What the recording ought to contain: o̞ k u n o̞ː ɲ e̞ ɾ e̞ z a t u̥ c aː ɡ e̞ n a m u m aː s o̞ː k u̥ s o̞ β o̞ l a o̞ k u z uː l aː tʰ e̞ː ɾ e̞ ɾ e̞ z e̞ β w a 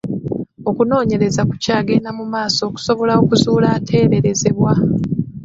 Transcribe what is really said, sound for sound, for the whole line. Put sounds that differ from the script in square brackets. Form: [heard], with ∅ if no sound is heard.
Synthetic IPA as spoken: o̞ k u n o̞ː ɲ e̞ ɾ e̞ z a [k] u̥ c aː ɡ e̞ n a m u m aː s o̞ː k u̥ s o̞ β o̞ l a o̞ k u z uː l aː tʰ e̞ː ɾ e̞ ɾ e̞ z e̞ β w a